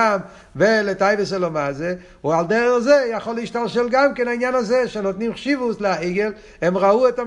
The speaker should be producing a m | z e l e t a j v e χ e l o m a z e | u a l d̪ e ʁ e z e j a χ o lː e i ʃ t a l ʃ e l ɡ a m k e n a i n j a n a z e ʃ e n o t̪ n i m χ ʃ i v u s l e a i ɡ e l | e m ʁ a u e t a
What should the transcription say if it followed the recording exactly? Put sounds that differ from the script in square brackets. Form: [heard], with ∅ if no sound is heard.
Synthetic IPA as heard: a m | [v] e l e t a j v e [s] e l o m a z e | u a l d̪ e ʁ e z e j a χ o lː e i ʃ t a l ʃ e l ɡ a m k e n a i n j a n a z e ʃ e n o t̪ n i m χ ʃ i v u s l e a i ɡ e l | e m ʁ a u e t a